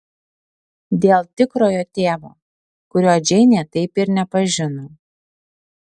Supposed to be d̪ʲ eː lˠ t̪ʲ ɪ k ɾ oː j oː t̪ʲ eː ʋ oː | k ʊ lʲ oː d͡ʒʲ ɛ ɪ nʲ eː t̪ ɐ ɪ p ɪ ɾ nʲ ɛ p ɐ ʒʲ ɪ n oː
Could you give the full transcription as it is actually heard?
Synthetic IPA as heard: d̪ʲ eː lˠ t̪ʲ ɪ k ɾ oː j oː t̪ʲ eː ʋ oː | k ʊ ɾʲ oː d͡ʒʲ ɛ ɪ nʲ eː t̪ ɐ ɪ p ɪ ɾ nʲ ɛ p ɐ ʒʲ ɪ n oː